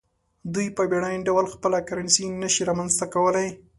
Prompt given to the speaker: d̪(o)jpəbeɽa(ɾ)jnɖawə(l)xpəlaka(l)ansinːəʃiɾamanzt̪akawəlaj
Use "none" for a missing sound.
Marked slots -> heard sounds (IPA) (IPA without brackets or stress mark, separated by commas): u, none, l, ɾ